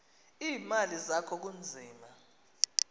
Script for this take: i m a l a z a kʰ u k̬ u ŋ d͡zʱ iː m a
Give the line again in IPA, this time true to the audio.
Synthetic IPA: iː m a l i z a kʰ ɔ k̬ u n d͡zʱ iː m a